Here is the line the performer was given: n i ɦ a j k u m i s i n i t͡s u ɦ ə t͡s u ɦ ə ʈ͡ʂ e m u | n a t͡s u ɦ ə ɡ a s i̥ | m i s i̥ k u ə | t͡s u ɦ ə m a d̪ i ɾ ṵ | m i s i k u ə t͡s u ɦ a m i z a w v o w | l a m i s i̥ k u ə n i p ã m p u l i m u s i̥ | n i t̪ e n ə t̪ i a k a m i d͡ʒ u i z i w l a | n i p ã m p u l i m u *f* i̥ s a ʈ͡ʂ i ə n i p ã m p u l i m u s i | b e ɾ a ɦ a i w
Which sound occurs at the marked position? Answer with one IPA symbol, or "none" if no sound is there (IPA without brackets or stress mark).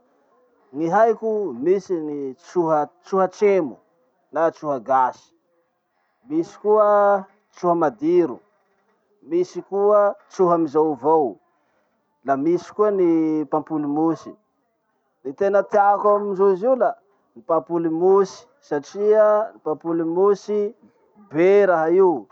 s